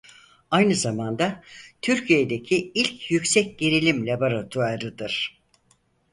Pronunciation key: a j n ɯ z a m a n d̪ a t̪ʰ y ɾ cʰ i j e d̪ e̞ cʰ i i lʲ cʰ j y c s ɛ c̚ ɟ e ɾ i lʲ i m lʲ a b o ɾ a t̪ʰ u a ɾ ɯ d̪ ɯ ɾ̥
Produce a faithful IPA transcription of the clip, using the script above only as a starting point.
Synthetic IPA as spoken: a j n ɯ z a m a n d̪ a t̪ʰ y ɾ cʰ i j e d̪ e̞ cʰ i i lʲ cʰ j y c s ɛ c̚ ɟ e ɾ i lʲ i m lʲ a b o ɾ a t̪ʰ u a ɾ ɯ d̪ ɯ ɾ̥